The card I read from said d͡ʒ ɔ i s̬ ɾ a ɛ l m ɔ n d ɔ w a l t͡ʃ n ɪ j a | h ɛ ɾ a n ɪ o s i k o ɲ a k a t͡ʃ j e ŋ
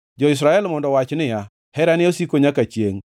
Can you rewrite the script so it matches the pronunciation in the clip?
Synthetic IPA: d͡ʒ ɔ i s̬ ɾ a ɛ l m ɔ n d ɔ w a t͡ʃ n ɪ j a | h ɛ ɾ a n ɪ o s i k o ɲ a k a t͡ʃ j e ŋ

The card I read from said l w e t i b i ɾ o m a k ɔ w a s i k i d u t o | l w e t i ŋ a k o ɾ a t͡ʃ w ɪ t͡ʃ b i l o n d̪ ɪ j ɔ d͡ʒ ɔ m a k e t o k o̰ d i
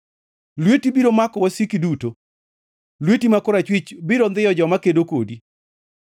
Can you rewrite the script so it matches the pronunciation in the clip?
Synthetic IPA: l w e t i b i ɾ o m a k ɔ w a s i k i d u t o | l w e t i m a k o ɾ a t͡ʃ w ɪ t͡ʃ b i ɾ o n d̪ ɪ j ɔ d͡ʒ ɔ m a k e d o k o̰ d i

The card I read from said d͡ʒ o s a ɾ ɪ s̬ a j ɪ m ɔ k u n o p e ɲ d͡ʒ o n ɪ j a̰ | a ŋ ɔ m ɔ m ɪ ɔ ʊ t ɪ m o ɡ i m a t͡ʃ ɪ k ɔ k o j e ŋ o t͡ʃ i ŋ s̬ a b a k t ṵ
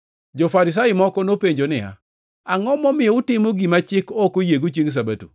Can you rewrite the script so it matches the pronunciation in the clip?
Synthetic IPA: d͡ʒ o f a ɾ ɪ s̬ a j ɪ m ɔ k ɔ n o p e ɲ d͡ʒ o n ɪ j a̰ | a ŋ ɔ m ɔ m ɪ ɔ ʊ t ɪ m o ɡ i m a t͡ʃ ɪ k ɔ k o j e ɡ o t͡ʃ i ŋ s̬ a b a t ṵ

